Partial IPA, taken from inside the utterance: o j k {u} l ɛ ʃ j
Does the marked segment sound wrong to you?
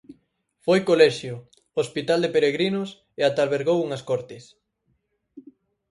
yes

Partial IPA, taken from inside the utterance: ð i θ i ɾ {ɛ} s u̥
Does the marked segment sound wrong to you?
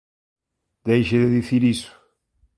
yes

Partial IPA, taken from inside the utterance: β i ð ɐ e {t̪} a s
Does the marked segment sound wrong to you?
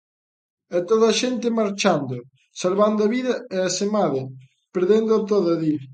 yes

